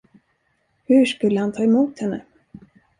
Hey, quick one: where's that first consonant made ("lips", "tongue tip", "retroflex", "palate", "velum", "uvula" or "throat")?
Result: throat